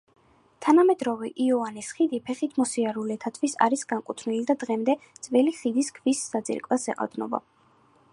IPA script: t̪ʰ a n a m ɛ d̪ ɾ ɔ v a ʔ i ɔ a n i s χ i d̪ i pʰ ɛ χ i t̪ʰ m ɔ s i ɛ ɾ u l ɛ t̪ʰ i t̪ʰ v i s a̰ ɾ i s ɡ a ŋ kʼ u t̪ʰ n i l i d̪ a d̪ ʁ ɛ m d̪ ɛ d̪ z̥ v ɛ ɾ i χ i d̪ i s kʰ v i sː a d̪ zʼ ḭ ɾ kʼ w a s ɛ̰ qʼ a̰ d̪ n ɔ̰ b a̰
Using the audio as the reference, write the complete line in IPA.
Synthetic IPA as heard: t̪ʰ a n a m ɛ d̪ ɾ ɔ v ɛ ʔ i ɔ a n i s χ i d̪ i pʰ ɛ χ i t̪ʰ m ɔ s i a ɾ u l ɛ t̪ʰ a t̪ʰ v i s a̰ ɾ i s ɡ a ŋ kʼ u t̪ʰ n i l i d̪ a d̪ ʁ ɛ m d̪ ɛ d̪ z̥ v ɛ l i χ i d̪ i s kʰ v i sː a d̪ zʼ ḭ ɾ kʼ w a s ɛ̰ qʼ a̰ d̪ n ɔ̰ b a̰

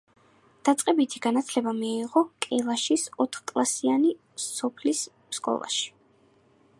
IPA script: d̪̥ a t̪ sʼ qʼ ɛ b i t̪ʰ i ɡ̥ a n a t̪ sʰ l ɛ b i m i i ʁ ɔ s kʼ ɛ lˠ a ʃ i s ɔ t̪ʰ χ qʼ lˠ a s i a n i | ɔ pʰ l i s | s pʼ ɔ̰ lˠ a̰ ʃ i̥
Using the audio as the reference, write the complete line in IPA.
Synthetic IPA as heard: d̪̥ a t̪ sʼ qʼ ɛ b i t̪ʰ i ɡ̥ a n a t̪ sʰ l ɛ b a m i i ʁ ɔ kʼ ɛ lˠ a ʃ i s ɔ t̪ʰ χ kʼ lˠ a s i a n i | ɔ pʰ l i s | s kʼ ɔ̰ lˠ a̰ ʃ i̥

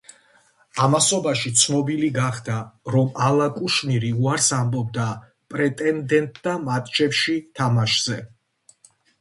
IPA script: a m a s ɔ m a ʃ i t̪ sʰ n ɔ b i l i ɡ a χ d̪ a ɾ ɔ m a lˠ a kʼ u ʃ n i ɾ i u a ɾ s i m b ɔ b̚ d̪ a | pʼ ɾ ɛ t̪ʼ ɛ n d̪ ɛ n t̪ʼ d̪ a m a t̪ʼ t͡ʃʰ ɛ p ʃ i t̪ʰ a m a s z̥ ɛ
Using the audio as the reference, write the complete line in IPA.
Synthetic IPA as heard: a m a s ɔ b a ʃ i t̪ sʰ n ɔ b i l i ɡ a χ d̪ a ɾ ɔ m a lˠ a kʼ u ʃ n i ɾ i u a ɾ s a m b ɔ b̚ d̪ a | pʼ ɾ ɛ t̪ʼ ɛ n d̪ ɛ n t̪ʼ d̪ a m a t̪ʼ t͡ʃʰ ɛ p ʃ i t̪ʰ a m a ʃ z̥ ɛ

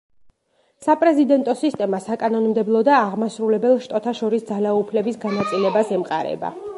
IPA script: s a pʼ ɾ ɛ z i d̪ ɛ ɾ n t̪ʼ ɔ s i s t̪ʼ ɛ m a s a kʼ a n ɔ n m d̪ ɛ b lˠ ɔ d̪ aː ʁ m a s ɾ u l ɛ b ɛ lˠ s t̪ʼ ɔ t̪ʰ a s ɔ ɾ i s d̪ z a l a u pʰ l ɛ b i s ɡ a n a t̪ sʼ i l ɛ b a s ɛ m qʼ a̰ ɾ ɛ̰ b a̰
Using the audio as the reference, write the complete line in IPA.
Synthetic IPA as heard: s a pʼ ɾ ɛ z i d̪ ɛ n t̪ʼ ɔ s i s t̪ʼ ɛ m a s a kʼ a n ɔ n m d̪ ɛ b lˠ ɔ d̪ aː ʁ m a s ɾ u l ɛ b ɛ lˠ ʃ t̪ʼ ɔ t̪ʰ a ʃ ɔ ɾ i s d̪ z a l a u pʰ l ɛ b i s ɡ a n a t̪ sʼ i l ɛ b a s ɛ m qʼ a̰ ɾ ɛ̰ b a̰

